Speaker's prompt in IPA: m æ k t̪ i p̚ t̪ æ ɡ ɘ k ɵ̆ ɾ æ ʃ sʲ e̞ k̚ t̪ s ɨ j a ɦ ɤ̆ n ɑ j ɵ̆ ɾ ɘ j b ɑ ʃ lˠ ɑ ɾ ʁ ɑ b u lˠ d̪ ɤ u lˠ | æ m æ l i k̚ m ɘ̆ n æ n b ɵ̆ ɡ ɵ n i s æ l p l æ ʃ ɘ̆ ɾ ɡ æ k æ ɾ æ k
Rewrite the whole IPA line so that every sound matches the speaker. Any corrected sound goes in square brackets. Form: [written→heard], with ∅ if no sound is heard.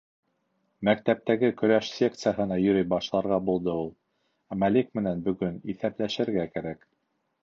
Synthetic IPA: m æ k t̪ [i→æ] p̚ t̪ æ ɡ ɘ k ɵ̆ ɾ æ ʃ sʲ e̞ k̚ t̪ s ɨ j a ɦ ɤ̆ n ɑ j ɵ̆ ɾ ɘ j b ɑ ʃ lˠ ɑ ɾ ʁ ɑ b u lˠ d̪ ɤ u lˠ | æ m æ l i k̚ m ɘ̆ n æ n b ɵ̆ ɡ ɵ n i [s→θ] æ [l→∅] p l æ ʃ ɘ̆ ɾ ɡ æ k æ ɾ æ k